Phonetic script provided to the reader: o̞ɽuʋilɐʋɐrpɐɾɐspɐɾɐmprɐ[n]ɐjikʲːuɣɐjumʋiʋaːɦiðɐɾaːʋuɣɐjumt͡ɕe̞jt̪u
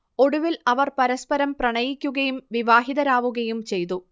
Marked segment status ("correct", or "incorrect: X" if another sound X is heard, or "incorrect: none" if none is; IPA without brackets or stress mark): incorrect: ɳ